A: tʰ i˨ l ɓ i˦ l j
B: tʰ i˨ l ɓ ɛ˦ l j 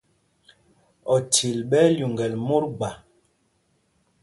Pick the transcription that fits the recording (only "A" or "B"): B